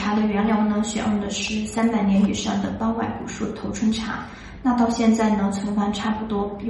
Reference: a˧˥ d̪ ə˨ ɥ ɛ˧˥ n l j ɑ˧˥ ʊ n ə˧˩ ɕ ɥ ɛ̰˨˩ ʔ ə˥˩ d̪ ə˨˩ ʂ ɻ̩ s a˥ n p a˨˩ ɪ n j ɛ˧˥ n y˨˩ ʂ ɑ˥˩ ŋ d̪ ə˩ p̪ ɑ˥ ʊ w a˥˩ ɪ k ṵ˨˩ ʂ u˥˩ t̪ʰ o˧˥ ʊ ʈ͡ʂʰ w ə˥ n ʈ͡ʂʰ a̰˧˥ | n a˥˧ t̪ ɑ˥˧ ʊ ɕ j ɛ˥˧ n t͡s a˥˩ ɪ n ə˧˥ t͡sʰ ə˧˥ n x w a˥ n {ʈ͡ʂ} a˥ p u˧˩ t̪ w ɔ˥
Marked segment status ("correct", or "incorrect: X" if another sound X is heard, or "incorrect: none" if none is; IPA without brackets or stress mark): incorrect: ʈ͡ʂʰ